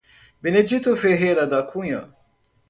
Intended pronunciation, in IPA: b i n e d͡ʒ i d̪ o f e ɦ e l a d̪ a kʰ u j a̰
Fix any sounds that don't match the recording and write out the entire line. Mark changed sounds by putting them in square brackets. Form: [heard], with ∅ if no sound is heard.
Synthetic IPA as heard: b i n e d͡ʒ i [t̪] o f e ɦ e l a d̪ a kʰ u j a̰